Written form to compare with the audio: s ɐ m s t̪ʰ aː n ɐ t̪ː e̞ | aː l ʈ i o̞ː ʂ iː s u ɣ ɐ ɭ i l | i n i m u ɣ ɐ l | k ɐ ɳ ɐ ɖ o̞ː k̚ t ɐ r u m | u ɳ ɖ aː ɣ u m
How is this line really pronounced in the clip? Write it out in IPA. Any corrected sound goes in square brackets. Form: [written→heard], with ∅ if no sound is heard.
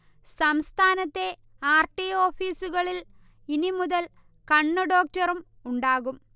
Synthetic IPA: s ɐ m s t̪ʰ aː n ɐ t̪ː e̞ | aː [l→r] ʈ i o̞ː [ʂ→f] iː s u ɣ ɐ ɭ i l | i n i m u [ɣ→ð] ɐ l | k ɐ [ɳ→ɳː] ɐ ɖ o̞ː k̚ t ɐ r u m | u ɳ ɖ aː ɣ u m